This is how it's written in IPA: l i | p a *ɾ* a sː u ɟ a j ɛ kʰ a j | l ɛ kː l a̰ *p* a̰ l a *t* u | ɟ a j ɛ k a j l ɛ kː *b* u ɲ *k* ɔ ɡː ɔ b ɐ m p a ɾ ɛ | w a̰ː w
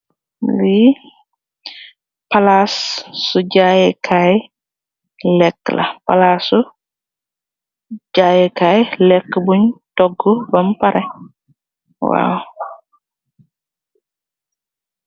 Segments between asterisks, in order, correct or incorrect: incorrect: l, correct, incorrect: s, correct, incorrect: t

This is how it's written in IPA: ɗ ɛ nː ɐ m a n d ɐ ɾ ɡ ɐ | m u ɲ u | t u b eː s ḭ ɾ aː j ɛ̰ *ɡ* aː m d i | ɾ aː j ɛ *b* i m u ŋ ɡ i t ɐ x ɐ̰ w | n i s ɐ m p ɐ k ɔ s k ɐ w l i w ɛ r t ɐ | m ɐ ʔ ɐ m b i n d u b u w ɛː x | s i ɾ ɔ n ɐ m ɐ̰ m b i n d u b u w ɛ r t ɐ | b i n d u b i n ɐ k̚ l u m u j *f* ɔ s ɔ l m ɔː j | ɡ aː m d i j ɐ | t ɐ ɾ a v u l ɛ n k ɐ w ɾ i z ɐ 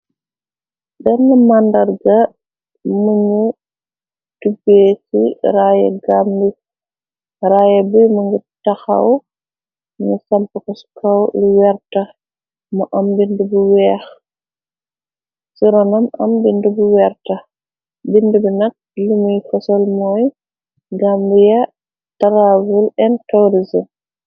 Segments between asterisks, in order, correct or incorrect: correct, correct, correct

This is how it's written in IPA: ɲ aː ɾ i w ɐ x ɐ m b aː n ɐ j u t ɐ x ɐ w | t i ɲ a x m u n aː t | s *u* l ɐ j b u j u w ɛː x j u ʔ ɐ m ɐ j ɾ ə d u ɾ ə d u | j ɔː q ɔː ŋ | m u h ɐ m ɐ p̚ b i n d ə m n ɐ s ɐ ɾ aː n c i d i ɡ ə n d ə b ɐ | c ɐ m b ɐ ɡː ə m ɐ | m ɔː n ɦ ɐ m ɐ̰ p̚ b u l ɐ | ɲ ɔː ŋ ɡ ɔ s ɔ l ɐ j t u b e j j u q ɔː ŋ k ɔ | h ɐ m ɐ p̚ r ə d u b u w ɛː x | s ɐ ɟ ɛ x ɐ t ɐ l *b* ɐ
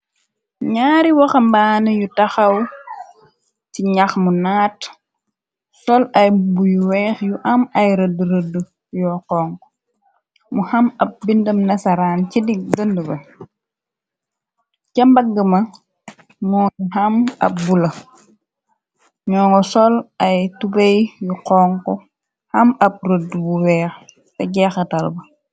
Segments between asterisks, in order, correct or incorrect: incorrect: ɔ, correct

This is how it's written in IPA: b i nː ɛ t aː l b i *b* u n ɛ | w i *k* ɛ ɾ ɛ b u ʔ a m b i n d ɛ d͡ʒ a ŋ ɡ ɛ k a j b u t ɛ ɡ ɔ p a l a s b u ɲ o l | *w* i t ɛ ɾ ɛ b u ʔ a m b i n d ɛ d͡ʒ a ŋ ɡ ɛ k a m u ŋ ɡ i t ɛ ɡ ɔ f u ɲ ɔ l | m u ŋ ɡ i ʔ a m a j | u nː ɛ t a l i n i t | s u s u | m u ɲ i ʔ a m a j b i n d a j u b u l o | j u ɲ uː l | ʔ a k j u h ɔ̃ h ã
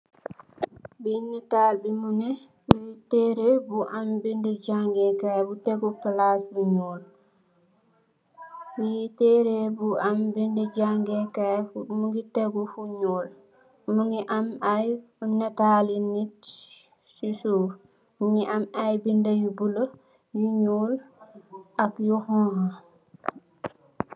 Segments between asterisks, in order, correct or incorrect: incorrect: m, incorrect: t, correct

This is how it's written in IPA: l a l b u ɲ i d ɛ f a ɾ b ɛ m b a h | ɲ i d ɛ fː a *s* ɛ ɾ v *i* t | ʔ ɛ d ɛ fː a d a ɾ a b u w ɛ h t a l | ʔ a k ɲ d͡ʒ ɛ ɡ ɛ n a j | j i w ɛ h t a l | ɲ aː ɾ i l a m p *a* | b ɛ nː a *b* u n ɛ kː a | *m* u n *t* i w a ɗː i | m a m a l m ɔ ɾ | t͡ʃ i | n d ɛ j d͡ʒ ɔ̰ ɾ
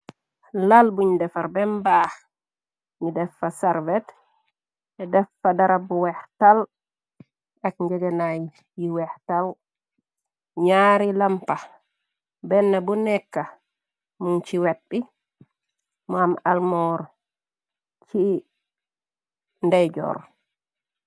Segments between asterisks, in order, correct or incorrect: correct, incorrect: ɛ, correct, correct, correct, incorrect: t͡ʃ

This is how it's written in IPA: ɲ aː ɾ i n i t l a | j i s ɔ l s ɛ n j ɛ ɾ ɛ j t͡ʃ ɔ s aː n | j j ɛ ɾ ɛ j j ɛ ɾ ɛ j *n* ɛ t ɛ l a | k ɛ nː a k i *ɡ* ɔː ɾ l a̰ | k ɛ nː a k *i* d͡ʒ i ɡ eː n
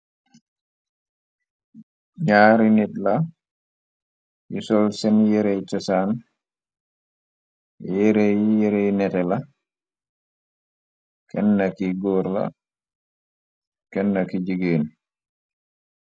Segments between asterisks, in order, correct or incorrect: correct, correct, correct

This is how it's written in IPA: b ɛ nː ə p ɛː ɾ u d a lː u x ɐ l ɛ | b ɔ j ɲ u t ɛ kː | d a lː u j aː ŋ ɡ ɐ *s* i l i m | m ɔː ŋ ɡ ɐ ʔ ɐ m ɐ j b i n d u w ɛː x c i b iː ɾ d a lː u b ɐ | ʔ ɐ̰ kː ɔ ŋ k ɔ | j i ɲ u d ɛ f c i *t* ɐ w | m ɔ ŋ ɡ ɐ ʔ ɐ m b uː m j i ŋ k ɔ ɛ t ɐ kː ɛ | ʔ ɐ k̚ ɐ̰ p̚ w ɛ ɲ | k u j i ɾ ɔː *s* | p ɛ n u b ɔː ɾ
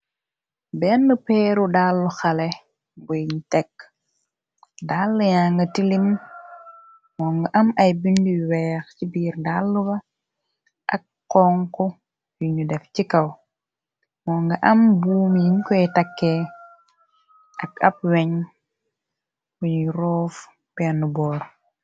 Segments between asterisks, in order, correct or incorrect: incorrect: t, incorrect: k, incorrect: f

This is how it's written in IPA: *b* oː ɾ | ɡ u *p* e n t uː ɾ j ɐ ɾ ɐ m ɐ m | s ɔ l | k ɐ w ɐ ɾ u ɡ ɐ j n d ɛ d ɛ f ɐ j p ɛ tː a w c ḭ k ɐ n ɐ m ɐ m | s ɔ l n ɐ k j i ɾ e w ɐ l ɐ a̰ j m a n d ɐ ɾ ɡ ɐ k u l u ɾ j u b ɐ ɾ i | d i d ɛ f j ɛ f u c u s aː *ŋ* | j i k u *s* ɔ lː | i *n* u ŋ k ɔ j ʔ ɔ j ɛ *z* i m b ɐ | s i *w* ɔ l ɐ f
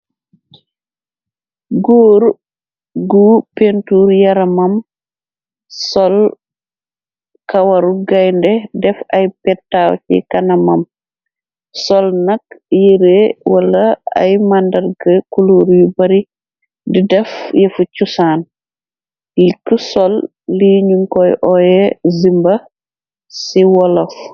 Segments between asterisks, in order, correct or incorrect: incorrect: ɡ, correct, incorrect: n, correct, incorrect: ɲ, correct, correct

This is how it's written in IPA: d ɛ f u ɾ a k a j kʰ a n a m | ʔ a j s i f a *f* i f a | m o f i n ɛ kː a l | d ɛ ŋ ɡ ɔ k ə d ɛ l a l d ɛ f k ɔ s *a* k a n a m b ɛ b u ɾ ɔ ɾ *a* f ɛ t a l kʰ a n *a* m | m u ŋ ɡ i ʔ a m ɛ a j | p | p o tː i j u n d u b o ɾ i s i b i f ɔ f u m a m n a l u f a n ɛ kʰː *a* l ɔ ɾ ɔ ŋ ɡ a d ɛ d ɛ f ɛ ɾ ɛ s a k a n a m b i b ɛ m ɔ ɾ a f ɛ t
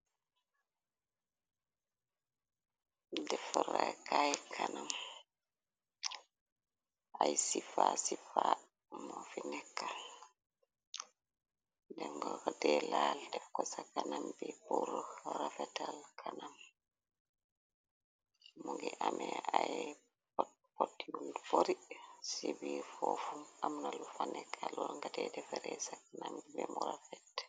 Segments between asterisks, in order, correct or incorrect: incorrect: s, correct, correct, correct, correct

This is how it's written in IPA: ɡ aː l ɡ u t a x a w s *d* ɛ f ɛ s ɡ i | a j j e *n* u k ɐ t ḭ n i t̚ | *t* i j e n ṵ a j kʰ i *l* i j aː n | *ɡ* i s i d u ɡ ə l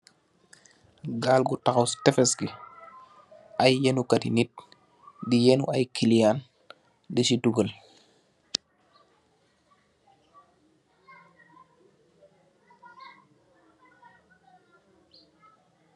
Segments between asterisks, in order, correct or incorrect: incorrect: t, correct, incorrect: d, correct, incorrect: d

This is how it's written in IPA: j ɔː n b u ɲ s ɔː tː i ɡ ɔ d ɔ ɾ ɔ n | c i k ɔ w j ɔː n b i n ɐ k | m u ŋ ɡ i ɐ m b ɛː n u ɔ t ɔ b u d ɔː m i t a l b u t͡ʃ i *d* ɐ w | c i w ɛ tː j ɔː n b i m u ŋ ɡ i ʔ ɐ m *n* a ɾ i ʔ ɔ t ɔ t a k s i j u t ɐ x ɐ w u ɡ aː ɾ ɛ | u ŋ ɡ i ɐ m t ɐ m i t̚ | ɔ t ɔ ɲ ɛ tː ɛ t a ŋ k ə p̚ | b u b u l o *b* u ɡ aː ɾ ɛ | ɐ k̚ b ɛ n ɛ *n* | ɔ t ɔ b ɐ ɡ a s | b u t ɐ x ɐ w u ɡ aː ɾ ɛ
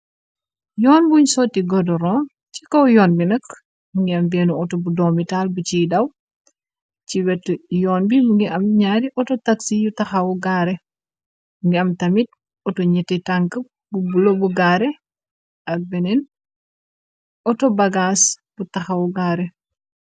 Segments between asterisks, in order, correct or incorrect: correct, incorrect: ɲ, correct, correct

